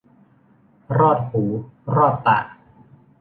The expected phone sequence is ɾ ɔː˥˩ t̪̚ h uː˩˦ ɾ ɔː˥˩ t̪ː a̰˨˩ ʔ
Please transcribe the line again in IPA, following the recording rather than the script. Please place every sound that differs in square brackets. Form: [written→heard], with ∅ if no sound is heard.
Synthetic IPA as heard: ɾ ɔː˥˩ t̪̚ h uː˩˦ ɾ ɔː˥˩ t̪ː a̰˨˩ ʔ